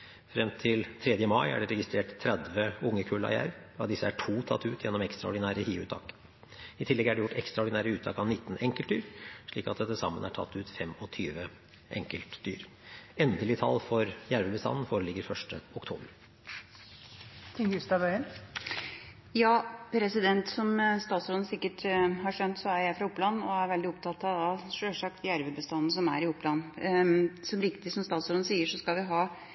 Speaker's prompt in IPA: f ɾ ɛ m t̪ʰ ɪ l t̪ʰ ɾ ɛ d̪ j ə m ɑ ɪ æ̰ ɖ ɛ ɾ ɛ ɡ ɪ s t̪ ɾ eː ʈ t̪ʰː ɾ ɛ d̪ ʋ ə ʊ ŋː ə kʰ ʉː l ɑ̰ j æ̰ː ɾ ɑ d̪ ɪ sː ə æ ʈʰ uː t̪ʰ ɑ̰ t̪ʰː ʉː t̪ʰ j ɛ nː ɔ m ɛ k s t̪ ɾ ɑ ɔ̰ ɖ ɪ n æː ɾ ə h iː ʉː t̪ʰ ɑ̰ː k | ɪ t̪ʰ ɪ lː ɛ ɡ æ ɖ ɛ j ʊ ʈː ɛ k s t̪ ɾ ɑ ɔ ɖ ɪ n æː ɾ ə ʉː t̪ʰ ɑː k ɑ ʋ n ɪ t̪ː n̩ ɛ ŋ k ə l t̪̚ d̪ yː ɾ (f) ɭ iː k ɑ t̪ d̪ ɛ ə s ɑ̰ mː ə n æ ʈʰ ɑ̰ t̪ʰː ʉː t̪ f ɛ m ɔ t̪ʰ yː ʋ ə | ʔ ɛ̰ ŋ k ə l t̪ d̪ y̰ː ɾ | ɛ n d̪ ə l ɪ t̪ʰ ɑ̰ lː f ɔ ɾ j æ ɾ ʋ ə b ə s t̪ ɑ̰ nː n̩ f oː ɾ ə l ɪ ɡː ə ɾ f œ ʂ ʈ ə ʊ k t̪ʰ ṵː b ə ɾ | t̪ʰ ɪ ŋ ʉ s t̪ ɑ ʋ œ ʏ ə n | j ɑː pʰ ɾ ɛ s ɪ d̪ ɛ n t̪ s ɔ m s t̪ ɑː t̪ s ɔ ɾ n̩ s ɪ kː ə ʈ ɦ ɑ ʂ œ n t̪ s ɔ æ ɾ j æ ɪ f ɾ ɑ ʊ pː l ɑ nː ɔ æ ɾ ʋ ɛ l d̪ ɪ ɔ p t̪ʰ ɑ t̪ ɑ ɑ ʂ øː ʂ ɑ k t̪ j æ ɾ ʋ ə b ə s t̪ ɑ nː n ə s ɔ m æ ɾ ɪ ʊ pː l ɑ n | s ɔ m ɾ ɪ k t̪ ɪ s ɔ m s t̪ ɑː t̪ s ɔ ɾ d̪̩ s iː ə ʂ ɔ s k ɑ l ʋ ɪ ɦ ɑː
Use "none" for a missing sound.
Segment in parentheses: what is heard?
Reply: ʂ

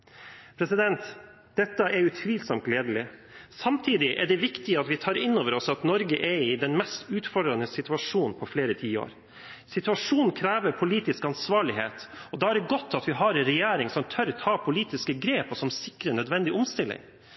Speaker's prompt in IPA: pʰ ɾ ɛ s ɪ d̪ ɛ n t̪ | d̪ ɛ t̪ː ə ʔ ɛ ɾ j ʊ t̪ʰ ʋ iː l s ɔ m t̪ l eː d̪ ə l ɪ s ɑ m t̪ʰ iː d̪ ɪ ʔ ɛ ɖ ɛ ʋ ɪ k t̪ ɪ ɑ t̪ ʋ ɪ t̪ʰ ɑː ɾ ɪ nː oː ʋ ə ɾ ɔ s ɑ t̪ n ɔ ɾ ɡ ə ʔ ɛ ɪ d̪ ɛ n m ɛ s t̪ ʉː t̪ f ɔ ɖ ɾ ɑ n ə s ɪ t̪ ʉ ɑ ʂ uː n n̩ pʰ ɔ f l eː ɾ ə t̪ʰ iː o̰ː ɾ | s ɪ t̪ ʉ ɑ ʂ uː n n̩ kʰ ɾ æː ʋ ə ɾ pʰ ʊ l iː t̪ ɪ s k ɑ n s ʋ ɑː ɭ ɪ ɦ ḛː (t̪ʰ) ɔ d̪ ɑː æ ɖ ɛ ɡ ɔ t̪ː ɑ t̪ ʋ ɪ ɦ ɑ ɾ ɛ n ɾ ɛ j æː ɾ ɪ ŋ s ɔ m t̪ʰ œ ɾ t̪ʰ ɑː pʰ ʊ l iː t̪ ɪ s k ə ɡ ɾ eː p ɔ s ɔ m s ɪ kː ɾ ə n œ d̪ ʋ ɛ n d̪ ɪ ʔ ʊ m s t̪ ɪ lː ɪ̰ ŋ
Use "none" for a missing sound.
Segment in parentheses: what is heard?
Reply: t̪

